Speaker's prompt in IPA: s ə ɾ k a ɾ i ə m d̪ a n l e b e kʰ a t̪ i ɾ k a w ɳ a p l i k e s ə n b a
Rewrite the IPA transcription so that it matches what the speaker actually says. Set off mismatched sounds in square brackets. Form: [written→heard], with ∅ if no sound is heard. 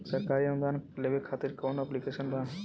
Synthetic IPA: s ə ɾ k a ɾ i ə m d̪ a n l e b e kʰ a t̪ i ɾ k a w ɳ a p l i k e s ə n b a